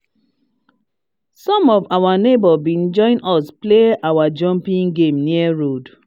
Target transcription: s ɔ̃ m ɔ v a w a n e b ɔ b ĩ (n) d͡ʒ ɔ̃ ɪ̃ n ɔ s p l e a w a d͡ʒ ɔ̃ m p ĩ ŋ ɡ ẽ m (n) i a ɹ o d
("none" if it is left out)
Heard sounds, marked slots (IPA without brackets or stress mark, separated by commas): n, n